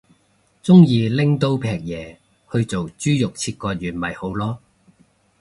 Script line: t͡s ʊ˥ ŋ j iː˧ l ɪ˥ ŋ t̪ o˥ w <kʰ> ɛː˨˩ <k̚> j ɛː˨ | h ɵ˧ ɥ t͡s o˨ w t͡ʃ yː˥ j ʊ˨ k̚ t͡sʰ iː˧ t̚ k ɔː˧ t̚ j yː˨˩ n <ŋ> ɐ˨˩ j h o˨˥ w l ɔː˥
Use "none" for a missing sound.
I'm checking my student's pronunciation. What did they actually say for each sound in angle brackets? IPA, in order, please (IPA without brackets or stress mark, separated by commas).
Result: pʰ, k̚, m